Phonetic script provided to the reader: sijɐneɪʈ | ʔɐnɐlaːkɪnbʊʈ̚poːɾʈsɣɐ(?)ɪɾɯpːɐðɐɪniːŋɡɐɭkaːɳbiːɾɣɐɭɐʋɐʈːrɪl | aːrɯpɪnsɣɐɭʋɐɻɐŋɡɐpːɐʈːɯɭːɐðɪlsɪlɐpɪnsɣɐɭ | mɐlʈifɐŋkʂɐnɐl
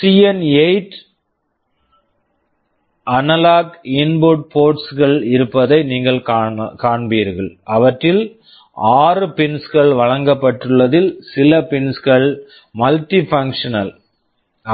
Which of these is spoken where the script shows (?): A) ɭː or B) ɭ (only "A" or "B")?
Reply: B